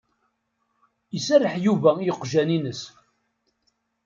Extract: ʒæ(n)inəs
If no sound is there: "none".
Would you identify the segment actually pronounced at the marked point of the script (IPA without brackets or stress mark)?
n